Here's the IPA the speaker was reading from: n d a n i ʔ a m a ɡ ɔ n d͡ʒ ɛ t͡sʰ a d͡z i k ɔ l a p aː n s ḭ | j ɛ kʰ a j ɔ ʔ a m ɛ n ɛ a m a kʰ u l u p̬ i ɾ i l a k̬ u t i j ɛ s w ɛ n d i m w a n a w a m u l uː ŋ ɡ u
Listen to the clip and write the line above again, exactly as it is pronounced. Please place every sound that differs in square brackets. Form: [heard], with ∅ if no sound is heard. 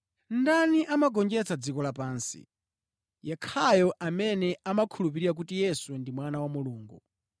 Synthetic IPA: n d a n i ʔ a m a ɡ ɔ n d͡ʒ ɛ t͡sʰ a d͡z i k ɔ l a p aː n s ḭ | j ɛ kʰ a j ɔ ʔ a m ɛ n ɛ a m a kʰ u l u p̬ i ɾ i [ɾ] a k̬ u t i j ɛ s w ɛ n d i m w a n a w a m u l uː ŋ ɡ u

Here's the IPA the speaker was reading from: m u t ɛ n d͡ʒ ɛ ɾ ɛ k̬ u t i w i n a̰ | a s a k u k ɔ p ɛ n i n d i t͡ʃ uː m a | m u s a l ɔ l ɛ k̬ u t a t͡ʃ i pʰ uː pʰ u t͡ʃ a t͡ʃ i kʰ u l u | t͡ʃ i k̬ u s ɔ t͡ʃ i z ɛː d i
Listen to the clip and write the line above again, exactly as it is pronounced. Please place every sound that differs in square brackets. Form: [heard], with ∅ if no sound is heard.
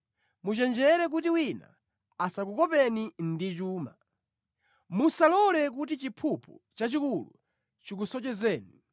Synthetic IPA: m u [t͡ʃ] ɛ n d͡ʒ ɛ ɾ ɛ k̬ u t i w i n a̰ | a s a k u k ɔ p ɛ n i n d i t͡ʃ uː m a | m u s a l ɔ l ɛ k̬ u t [i] t͡ʃ i pʰ [u] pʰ u t͡ʃ a t͡ʃ i [k] u l u | t͡ʃ i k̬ u s ɔ t͡ʃ [ɛ] z ɛː [n] i

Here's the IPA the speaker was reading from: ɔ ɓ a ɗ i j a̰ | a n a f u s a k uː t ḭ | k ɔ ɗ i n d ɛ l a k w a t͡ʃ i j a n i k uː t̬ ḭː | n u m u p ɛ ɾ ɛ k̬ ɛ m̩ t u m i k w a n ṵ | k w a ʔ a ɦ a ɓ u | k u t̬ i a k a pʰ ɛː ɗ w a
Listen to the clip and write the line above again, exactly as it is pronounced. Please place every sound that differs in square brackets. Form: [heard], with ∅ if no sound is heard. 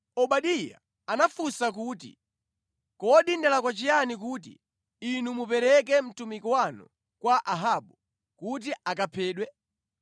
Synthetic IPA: ɔ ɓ a ɗ i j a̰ | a n a f u s a k uː t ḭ | k ɔ ɗ i n d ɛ l a k w a t͡ʃ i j a n i k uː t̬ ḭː | n u m u p ɛ ɾ ɛ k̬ ɛ m̩ t u m i k w a n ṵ | k w a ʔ a ɦ a ɓ u | k u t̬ i a k a pʰ ɛː ɗ w [ɛ]

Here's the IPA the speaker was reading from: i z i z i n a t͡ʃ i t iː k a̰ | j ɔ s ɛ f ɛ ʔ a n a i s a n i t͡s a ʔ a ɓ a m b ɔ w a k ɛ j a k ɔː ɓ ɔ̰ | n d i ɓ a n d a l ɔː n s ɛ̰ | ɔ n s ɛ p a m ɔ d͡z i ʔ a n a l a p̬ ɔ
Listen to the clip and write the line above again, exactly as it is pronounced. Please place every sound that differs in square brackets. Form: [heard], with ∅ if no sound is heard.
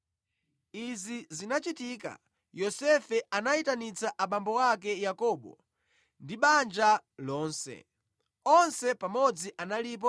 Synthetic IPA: i z i z i n a t͡ʃ i t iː k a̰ | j ɔ s ɛ f ɛ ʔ a n a i [t] a n i t͡s a ʔ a ɓ a m b ɔ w a k ɛ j a k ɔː ɓ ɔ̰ | n d i ɓ a n [d͡ʒ] a l ɔː n s ɛ̰ | ɔ n s ɛ p a m ɔ d͡z i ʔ a n a l [i] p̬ ɔ

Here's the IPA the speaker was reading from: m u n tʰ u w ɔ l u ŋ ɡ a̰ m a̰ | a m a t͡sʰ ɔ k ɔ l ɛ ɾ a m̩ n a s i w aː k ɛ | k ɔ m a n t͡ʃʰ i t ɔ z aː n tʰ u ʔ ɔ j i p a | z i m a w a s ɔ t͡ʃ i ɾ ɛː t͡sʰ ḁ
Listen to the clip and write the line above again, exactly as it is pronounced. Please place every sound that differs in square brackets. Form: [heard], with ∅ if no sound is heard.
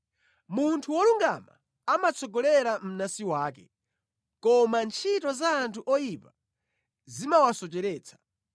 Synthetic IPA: m u n tʰ u w ɔ l u ŋ ɡ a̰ m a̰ | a m a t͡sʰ ɔ [ɡ] ɔ l ɛ ɾ a m̩ n a s i w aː k ɛ | k ɔ m a n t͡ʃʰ i t ɔ z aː n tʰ u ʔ ɔ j i p a | z i m a w a s ɔ t͡ʃ [ɛ] ɾ ɛː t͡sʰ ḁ

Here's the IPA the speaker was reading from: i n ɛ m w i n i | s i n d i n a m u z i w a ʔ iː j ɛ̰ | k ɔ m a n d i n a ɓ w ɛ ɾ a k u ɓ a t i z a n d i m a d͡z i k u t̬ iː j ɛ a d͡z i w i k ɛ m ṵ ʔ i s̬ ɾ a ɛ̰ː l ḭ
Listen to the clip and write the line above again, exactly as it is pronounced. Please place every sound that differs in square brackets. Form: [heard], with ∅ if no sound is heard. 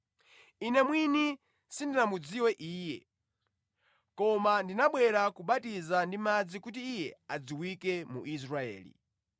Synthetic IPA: i n ɛ m w i n i | s i n d i n a m u [d͡z] i w [ɛ] ʔ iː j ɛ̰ | k ɔ m a n d i n a ɓ w ɛ ɾ a k u ɓ a t i z a n d i m a d͡z i k u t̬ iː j ɛ a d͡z i w i k ɛ m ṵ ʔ i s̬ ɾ a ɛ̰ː l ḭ

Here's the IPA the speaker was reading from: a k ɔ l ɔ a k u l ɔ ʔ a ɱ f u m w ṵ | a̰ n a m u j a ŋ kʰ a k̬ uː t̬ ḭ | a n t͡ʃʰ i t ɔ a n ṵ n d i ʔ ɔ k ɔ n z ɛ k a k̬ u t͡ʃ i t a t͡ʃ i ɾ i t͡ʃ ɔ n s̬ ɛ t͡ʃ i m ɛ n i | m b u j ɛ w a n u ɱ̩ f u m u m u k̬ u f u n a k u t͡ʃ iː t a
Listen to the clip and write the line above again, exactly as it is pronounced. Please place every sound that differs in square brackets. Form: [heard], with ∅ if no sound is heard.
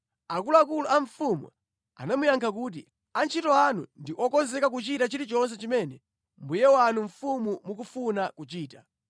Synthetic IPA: a k [u] l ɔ a k u l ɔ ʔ a ɱ f u m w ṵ | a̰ n a m u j a ŋ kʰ a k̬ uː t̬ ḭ | a n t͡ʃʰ i t ɔ a n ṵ n d i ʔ ɔ k ɔ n z ɛ k a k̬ u t͡ʃ i t a t͡ʃ i ɾ i t͡ʃ ɔ n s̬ ɛ t͡ʃ i m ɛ n [ɛ] | m b u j ɛ w a n u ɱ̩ f u m u m u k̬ u f u n a k u t͡ʃ iː t a

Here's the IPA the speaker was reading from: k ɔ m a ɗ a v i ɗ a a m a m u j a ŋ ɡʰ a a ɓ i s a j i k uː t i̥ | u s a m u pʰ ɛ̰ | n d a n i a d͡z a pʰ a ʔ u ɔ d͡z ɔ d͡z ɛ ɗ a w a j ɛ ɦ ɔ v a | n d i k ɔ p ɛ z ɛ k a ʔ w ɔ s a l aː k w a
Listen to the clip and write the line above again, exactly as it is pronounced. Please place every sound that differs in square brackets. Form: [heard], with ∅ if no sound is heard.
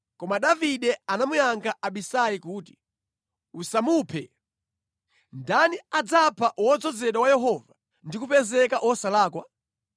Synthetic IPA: k ɔ m a ɗ a v i ɗ [ɛ] a [n] a m u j a ŋ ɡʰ a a ɓ i s a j i k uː t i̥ | u s a m u pʰ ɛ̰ | n d a n i a d͡z a pʰ a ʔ [w] ɔ d͡z ɔ d͡z ɛ ɗ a w a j ɛ ɦ ɔ v a | n d i k [u] p ɛ z ɛ k a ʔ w ɔ s a l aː k w a

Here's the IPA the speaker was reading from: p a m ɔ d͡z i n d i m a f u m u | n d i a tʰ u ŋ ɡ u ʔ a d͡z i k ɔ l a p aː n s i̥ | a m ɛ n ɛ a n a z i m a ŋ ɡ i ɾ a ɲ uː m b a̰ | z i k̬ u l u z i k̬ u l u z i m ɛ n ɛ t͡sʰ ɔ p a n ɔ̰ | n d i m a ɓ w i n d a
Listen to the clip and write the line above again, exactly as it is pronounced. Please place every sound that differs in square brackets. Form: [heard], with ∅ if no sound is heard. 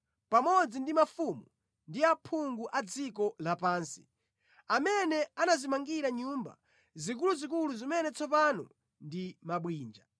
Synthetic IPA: p a m ɔ d͡z i n d i m a f u m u | n d i a [pʰ] u ŋ ɡ u ʔ a d͡z i k ɔ l a p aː n s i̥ | a m ɛ n ɛ a n a z i m a ŋ ɡ i ɾ a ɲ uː m b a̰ | z i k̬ u l u z i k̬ u l u z i m ɛ n ɛ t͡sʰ ɔ p a n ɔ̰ | n d i m a ɓ w [iː] n [d͡ʒ] a

